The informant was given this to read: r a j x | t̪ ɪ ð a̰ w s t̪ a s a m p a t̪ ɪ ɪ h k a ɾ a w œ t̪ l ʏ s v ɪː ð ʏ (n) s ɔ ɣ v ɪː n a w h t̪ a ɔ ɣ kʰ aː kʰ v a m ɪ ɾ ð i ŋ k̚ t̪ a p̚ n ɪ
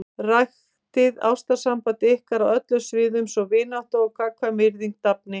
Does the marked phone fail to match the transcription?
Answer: yes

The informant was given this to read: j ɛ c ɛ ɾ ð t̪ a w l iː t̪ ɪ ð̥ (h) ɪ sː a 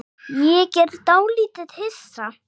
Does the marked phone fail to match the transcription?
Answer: no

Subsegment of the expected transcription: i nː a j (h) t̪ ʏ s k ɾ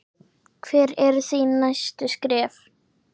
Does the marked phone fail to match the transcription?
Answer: yes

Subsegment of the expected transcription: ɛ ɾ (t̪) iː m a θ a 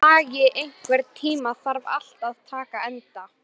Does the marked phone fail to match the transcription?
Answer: yes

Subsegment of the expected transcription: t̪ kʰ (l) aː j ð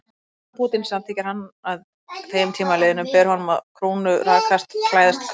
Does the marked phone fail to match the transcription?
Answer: no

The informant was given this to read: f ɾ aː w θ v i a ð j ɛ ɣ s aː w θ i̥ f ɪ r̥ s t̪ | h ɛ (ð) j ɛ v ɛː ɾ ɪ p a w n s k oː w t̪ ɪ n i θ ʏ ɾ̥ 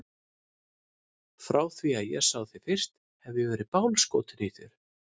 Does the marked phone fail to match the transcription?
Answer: yes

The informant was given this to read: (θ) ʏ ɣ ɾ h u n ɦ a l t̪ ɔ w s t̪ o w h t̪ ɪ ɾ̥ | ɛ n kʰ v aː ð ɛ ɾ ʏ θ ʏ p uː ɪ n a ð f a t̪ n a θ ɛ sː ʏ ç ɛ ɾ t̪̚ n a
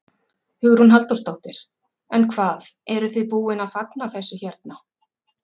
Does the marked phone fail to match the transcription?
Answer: yes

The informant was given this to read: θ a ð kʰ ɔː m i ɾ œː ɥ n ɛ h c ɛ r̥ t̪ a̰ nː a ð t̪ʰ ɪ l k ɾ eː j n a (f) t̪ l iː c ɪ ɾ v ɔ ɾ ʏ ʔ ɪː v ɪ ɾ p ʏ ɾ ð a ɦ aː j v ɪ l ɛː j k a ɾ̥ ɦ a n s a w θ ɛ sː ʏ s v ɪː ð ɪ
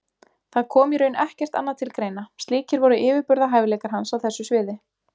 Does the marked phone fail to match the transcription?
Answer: yes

